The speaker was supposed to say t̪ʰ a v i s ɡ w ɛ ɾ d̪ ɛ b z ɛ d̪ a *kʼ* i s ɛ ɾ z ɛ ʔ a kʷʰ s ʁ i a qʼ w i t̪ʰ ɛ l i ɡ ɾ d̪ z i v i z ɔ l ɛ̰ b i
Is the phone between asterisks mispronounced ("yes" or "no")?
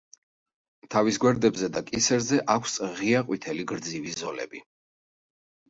no